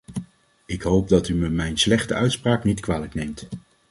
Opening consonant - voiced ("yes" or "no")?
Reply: no